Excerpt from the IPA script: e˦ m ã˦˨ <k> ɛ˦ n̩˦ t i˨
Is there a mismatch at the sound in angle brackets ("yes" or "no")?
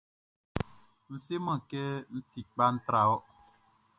no